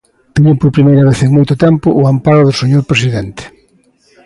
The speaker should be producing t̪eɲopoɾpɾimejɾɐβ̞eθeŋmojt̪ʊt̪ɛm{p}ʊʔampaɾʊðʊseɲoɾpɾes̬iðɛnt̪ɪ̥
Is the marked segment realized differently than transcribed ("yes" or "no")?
no